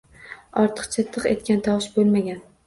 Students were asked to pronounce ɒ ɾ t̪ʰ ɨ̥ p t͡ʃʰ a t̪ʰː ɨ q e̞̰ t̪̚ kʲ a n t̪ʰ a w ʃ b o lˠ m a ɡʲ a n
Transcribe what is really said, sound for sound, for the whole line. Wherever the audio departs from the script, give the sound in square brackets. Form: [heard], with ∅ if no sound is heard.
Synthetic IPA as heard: ɒ ɾ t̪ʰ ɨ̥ [q] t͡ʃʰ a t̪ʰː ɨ q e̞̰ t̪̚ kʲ a n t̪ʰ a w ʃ b o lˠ m a ɡʲ a n

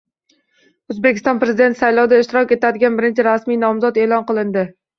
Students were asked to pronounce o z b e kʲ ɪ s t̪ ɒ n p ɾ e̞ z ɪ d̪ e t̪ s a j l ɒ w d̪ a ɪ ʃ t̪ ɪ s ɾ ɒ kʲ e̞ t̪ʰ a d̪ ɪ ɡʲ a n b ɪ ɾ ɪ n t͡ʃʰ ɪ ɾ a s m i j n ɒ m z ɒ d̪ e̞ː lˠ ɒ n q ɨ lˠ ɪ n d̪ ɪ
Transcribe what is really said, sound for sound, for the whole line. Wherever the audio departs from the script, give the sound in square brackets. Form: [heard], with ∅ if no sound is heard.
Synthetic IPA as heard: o z b e kʲ ɪ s t̪ ɒ n p ɾ e̞ z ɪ d̪ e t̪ s a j l ɒ w d̪ a ɪ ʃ t̪ ɪ [∅] ɾ ɒ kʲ e̞ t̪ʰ a d̪ ɪ ɡʲ a n b ɪ ɾ ɪ n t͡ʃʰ ɪ ɾ a s m i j n ɒ m z ɒ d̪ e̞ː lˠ ɒ n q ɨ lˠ ɪ n d̪ ɪ

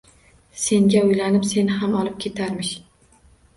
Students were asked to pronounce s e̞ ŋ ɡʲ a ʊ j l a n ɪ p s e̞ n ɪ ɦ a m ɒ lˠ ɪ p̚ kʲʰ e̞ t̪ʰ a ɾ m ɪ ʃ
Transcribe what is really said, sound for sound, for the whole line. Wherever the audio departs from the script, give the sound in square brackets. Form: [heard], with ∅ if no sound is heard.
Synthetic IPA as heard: s e̞ ŋ ɡʲ a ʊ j l a n ɪ p s e̞ n ɪ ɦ a m ɒ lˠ ɪ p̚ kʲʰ e̞ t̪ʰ a ɾ m ɪ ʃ

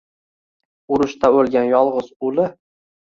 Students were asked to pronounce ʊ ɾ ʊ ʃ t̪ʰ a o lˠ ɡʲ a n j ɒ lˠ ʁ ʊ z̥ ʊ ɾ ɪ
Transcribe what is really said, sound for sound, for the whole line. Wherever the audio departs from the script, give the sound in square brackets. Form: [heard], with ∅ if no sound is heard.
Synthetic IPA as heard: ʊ ɾ ʊ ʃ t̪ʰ a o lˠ ɡʲ a n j ɒ lˠ ʁ ʊ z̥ ʊ [l] ɪ

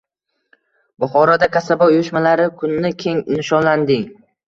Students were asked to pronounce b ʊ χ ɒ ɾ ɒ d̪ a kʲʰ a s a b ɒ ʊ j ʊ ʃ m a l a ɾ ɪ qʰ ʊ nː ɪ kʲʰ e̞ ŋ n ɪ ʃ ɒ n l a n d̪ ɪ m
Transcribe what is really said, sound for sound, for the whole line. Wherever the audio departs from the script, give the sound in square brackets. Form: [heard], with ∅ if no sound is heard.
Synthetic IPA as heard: b ʊ χ ɒ ɾ ɒ d̪ a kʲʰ a s a b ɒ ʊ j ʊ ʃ m a l a ɾ ɪ [kʰ] ʊ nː ɪ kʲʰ e̞ ŋ n ɪ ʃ ɒ n l a n d̪ ɪ [ŋ]

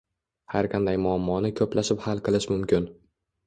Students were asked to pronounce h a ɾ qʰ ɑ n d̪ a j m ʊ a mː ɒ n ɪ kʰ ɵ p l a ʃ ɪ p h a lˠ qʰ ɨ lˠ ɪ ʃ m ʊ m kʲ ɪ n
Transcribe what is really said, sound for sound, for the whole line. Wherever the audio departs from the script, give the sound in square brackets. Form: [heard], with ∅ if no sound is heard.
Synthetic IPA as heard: h a ɾ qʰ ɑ n d̪ a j m ʊ a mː ɒ n ɪ kʰ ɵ p l a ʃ ɪ p h a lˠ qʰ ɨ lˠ ɪ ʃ m ʊ m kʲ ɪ n

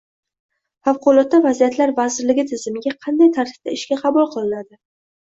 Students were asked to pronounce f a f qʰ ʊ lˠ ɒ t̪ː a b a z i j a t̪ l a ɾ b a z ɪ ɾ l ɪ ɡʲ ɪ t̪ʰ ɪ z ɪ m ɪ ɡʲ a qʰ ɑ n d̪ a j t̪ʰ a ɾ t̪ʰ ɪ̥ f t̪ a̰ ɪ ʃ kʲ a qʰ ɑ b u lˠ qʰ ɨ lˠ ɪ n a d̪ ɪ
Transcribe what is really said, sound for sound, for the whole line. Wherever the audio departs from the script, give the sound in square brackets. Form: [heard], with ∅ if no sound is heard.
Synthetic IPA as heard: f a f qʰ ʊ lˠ ɒ t̪ː a [v] a z i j a t̪ l a ɾ [v] a z ɪ ɾ l ɪ ɡʲ ɪ t̪ʰ ɪ z ɪ m ɪ ɡʲ a qʰ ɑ n d̪ a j t̪ʰ a ɾ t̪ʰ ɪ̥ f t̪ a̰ ɪ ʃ kʲ a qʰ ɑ b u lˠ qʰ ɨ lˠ ɪ n a d̪ ɪ

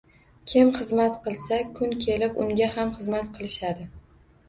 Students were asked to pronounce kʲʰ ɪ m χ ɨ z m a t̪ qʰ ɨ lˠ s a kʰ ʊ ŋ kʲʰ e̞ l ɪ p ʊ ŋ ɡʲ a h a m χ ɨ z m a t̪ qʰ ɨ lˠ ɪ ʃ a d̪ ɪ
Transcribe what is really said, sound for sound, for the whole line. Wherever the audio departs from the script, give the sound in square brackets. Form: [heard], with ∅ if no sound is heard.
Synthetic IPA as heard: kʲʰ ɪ m χ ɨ z m a t̪ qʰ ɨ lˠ s a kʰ ʊ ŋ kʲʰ e̞ l ɪ p ʊ ŋ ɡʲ a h a m χ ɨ z m a t̪ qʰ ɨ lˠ ɪ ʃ a d̪ ɪ

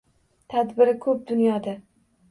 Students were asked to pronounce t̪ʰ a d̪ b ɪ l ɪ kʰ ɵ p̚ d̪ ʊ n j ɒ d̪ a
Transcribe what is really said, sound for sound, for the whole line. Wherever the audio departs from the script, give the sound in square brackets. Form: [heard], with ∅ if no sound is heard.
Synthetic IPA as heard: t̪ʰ a d̪ b ɪ [ɾ] ɪ kʰ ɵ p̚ d̪ ʊ n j ɒ d̪ a

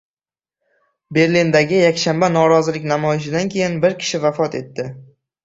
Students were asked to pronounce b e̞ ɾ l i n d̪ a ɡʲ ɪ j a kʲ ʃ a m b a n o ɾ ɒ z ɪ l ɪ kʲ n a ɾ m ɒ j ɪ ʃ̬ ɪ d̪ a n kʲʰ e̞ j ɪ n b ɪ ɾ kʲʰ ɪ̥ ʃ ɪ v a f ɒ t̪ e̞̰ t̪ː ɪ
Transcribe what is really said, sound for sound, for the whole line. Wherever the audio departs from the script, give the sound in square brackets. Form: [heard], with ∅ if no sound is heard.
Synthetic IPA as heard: b e̞ ɾ l i n d̪ a ɡʲ ɪ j a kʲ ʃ a m b a n [ɒ] ɾ ɒ z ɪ l ɪ kʲ n a [∅] m ɒ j ɪ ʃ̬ ɪ d̪ a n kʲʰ e̞ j ɪ n b ɪ ɾ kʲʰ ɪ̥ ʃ ɪ v a f ɒ t̪ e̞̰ t̪ː ɪ

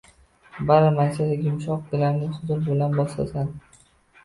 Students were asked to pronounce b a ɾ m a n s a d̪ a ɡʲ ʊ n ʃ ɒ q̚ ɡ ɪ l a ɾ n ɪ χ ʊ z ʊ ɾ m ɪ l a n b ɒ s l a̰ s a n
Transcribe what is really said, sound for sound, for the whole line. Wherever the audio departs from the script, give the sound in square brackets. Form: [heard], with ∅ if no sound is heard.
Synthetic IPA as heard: b a ɾ m a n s a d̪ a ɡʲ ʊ [m] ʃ ɒ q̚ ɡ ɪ l a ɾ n ɪ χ ʊ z ʊ ɾ [b] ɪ l a n b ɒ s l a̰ s a n

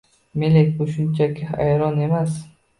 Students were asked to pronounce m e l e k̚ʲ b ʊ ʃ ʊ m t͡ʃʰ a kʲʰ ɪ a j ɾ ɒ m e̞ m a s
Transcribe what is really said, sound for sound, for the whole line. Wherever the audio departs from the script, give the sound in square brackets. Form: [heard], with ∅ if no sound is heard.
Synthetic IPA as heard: m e l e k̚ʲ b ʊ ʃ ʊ [n] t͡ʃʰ a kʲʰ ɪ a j ɾ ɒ [n] e̞ m a s

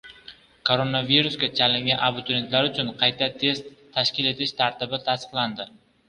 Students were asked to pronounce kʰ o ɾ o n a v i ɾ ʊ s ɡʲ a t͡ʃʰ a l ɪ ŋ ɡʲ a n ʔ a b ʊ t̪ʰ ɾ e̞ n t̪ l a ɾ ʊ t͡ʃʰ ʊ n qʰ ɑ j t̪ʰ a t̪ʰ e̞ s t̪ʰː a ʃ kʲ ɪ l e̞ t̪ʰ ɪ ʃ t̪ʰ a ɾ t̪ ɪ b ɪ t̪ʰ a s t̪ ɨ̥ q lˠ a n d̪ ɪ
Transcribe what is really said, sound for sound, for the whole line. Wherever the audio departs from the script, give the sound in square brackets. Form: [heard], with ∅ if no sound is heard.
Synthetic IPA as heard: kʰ o ɾ o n a v i ɾ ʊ s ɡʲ a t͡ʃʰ a l ɪ ŋ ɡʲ a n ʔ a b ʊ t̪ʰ ɾ e̞ n t̪ l a ɾ ʊ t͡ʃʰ ʊ n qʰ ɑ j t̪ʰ a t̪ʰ e̞ s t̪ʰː a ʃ kʲ ɪ l e̞ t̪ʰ ɪ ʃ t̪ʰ a ɾ t̪ ɪ b ɪ t̪ʰ a s t̪ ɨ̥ q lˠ a n d̪ ɪ

